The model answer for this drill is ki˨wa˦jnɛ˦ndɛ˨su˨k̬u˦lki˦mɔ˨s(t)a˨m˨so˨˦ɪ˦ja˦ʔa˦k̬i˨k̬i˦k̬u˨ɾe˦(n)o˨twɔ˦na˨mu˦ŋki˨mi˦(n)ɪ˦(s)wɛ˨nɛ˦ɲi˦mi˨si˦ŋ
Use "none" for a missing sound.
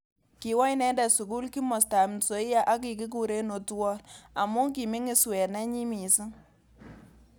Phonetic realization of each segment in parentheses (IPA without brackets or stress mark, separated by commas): t, n, ŋ, s